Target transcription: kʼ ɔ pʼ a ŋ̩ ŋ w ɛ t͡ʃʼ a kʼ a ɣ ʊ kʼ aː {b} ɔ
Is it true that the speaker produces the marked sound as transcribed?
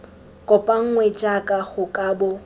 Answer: yes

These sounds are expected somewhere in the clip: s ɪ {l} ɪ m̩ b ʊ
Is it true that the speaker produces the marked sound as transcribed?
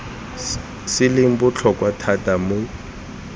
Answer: yes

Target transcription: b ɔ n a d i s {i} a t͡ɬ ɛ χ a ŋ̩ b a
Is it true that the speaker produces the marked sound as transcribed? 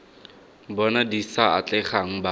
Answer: no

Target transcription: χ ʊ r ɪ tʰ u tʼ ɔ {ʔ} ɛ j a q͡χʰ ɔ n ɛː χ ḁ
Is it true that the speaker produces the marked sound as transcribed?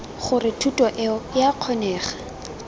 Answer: yes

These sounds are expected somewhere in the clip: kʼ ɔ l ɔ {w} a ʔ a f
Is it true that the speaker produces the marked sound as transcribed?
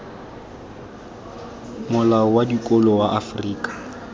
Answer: yes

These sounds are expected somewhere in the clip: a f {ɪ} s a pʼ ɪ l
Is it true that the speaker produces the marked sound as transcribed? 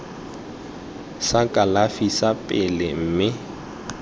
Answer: no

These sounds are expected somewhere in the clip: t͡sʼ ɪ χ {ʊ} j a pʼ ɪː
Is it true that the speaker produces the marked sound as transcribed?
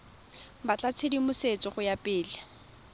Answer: yes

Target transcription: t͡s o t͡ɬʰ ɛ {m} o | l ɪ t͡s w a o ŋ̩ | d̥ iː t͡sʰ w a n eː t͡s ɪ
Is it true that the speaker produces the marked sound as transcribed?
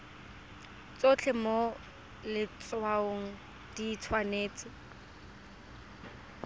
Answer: yes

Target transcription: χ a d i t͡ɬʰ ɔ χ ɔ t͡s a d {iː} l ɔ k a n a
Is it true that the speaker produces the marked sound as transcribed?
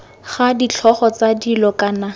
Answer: no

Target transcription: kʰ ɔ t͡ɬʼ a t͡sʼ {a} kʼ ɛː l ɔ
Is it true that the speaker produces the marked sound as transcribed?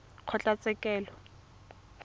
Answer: no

